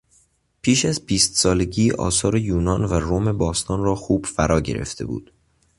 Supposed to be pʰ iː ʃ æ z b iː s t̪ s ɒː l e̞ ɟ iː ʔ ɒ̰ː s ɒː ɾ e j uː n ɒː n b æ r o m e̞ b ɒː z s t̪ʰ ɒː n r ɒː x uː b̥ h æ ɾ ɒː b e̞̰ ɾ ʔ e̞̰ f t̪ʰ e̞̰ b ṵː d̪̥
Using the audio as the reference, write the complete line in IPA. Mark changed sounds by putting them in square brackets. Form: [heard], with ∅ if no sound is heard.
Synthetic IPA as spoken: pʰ iː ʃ æ z b iː s t̪ s ɒː l e̞ ɟ iː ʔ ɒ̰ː s ɒː ɾ e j uː n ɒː n [v] æ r o m e̞ b ɒː [∅] s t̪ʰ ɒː n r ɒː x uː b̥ [f] æ ɾ ɒː [ɟ] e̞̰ ɾ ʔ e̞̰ f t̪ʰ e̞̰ b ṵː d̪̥